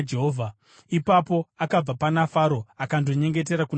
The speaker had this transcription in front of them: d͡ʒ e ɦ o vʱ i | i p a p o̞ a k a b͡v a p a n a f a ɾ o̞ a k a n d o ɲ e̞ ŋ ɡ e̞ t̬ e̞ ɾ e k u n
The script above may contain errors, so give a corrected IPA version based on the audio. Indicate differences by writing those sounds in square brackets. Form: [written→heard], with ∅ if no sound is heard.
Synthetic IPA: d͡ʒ e ɦ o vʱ [i→a] | i p a p o̞ a k a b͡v a p a n a f a ɾ o̞ a k a n d o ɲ e̞ ŋ ɡ e̞ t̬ e̞ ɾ [e→a] k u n